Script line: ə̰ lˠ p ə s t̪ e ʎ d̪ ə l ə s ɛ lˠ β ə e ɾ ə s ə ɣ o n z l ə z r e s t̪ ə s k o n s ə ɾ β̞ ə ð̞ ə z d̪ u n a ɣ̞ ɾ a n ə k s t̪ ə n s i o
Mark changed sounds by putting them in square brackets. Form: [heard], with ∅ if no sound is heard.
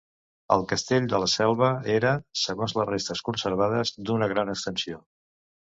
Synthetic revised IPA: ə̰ lˠ [k] ə s t̪ e ʎ d̪ ə l ə s ɛ lˠ β ə e ɾ ə s ə ɣ o n z l ə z r e s t̪ ə s k [u] n s ə ɾ β̞ [a] ð̞ ə z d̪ u n [ə] ɣ̞ ɾ a n ə k s t̪ ə n s i o